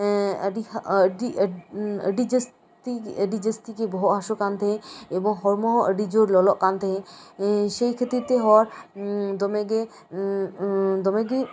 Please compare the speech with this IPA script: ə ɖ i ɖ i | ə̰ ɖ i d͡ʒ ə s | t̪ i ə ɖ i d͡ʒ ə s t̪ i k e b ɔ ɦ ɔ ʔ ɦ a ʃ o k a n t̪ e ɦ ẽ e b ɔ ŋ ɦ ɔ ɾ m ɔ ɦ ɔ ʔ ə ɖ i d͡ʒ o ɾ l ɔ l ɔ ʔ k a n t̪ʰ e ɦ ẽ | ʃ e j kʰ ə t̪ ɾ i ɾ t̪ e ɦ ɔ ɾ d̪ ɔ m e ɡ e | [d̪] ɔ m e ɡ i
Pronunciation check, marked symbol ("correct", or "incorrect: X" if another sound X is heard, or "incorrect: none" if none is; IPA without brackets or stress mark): correct